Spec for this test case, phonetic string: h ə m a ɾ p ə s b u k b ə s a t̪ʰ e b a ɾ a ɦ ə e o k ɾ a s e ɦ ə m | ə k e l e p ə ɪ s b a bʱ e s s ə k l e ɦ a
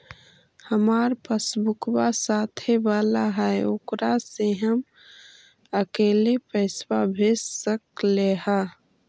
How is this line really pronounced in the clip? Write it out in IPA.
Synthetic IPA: h ə m a ɾ p ə s b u k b a s a t̪ʰ e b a l a ɦ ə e o k ɾ a s e ɦ ə m | ə k e l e p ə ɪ s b a bʱ e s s ə k l e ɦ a